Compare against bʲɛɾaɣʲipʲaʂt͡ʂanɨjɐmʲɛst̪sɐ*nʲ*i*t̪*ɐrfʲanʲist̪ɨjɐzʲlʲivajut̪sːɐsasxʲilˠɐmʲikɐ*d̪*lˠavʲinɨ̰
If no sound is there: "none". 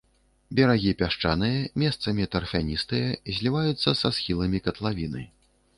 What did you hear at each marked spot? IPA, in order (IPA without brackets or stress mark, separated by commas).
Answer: mʲ, t̪, t̪